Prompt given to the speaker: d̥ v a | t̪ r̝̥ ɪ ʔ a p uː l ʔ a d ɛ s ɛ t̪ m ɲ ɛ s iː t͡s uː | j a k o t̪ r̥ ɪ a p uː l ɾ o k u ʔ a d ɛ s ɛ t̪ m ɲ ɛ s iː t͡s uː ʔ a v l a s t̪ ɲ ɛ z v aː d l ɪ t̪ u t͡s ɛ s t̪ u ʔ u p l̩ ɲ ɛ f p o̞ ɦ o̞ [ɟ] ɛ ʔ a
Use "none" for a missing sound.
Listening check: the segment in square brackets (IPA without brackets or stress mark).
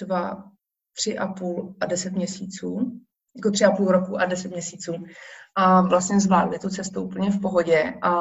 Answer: ɟ